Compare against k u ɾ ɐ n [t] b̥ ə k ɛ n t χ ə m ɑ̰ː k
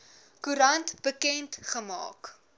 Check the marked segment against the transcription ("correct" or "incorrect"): correct